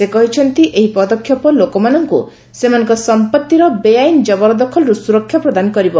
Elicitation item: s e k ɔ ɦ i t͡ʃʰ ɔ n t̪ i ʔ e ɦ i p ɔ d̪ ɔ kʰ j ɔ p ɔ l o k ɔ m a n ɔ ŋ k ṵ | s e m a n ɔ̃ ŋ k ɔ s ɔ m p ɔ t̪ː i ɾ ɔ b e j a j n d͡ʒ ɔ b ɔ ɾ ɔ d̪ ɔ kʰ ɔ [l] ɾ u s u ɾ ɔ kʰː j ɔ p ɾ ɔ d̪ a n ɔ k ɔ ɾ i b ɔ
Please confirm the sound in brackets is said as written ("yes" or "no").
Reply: yes